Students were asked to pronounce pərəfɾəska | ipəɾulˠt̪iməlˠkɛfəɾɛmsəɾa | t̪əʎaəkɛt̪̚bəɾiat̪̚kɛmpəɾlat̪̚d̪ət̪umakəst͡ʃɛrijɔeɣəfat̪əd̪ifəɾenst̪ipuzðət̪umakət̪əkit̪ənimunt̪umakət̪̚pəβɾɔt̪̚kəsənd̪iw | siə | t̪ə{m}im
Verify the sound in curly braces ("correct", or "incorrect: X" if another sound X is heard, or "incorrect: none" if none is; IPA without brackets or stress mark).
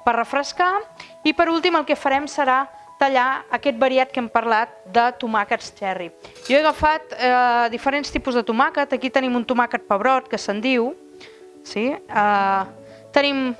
incorrect: n